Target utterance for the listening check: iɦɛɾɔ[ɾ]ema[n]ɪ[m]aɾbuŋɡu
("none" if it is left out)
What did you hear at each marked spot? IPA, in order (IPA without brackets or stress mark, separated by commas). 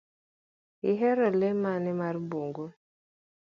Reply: l, n, m